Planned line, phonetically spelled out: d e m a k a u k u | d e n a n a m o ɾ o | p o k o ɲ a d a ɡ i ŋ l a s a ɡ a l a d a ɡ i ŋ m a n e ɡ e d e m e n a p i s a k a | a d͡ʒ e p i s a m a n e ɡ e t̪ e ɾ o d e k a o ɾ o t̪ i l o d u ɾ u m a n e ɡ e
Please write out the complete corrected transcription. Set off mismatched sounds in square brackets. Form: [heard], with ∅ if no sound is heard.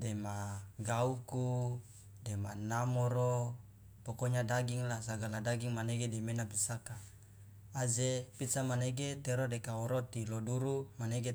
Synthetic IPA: d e m a [ɡ] a u k u | d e [m] a n a m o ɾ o | p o k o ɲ a d a ɡ i ŋ l a s a ɡ a l a d a ɡ i ŋ m a n e ɡ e d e m e n a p i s a k a | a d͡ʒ e p i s a m a n e ɡ e t̪ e ɾ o d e k a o ɾ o t̪ i l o d u ɾ u m a n e ɡ e